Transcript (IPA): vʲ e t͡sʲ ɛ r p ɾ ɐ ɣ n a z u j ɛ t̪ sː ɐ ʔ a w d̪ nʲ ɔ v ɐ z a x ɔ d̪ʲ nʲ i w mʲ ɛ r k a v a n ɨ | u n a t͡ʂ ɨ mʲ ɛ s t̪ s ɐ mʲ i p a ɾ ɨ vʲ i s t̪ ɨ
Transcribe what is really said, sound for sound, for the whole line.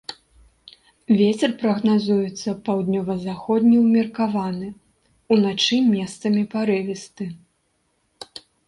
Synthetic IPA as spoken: vʲ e t͡sʲ ɛ r p ɾ ɐ ɣ n a z u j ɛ t̪ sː ɐ p a w d̪ nʲ ɔ v ɐ z a x ɔ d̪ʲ nʲ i w mʲ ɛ r k a v a n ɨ | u n a t͡ʂ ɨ mʲ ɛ s t̪ s ɐ mʲ i p a ɾ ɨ vʲ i s t̪ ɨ